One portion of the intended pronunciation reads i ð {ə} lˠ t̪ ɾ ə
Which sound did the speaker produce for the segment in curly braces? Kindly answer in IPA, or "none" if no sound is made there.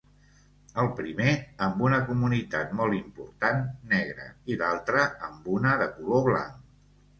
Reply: a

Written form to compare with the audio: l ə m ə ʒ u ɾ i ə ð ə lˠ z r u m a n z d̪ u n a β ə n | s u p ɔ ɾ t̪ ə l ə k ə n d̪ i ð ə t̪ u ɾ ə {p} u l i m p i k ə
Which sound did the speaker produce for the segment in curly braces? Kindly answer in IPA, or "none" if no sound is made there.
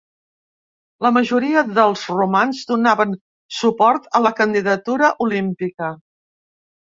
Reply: ʔ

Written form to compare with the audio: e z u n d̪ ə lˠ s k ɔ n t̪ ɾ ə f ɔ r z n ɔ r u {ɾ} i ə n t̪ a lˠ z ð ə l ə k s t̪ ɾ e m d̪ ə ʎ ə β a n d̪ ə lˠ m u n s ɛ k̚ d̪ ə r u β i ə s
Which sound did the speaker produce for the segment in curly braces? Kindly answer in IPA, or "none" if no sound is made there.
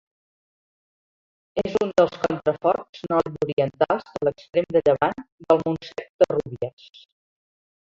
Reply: ɾ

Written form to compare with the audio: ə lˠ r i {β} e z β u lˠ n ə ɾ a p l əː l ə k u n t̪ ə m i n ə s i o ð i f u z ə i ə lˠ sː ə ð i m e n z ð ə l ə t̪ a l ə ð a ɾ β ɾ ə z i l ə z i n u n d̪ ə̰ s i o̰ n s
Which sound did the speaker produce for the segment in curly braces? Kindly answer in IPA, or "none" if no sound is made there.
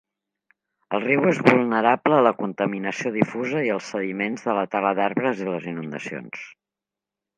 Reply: w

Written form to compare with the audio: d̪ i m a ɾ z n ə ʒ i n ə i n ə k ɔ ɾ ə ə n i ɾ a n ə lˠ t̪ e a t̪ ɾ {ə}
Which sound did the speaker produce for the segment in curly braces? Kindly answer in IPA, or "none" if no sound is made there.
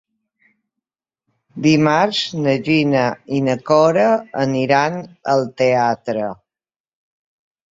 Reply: ə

